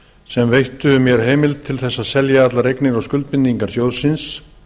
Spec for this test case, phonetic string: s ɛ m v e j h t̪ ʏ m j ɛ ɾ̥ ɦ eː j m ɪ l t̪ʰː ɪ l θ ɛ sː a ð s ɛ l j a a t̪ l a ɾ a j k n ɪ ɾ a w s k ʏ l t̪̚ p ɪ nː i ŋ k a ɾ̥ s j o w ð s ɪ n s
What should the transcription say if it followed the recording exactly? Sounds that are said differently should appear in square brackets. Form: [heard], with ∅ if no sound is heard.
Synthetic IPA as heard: s ɛ m v e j h t̪ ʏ m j ɛ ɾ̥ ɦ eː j m ɪ l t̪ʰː ɪ l θ ɛ sː a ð s ɛ l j a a t̪ l a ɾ [e] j k n ɪ ɾ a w s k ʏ l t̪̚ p ɪ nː i ŋ k a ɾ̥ s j o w ð s ɪ n s